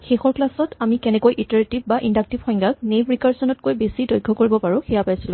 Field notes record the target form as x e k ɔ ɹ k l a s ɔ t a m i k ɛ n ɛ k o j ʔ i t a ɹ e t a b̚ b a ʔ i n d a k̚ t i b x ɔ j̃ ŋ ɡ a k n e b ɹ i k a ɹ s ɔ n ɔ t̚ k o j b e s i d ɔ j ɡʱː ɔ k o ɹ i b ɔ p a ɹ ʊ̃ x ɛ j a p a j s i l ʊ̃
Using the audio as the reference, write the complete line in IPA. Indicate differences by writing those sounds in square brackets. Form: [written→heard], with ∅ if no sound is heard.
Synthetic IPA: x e [k→x] ɔ ɹ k l a s ɔ t a m i k ɛ n ɛ k o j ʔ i t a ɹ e t [a→i] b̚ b a ʔ i n d a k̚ t i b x ɔ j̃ ŋ ɡ a k n e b ɹ i k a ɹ s ɔ n ɔ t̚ k o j b e s i d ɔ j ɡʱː ɔ k o ɹ i b ɔ p a ɹ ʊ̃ x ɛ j a p a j s i l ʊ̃